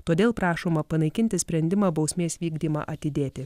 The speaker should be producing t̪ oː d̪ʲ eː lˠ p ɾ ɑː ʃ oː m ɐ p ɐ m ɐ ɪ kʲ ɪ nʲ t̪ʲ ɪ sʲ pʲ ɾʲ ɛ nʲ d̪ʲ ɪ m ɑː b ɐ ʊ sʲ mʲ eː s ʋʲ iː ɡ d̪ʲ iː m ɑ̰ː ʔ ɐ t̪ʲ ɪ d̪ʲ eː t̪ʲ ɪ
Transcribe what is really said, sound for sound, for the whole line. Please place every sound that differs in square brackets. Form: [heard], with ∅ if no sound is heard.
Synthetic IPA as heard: t̪ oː d̪ʲ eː lˠ p ɾ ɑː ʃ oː m ɐ p ɐ [n] ɐ ɪ kʲ ɪ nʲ t̪ʲ ɪ sʲ pʲ ɾʲ ɛ nʲ d̪ʲ ɪ m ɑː b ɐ ʊ sʲ mʲ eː s ʋʲ iː ɡ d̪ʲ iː m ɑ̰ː ʔ ɐ t̪ʲ ɪ d̪ʲ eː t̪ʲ ɪ